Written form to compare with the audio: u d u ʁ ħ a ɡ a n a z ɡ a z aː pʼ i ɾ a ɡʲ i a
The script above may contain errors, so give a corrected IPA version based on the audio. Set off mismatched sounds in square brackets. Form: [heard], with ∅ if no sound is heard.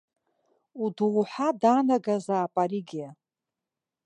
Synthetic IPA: u d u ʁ ħ a [d] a n a [∅] ɡ a z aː pʼ [a] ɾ [i] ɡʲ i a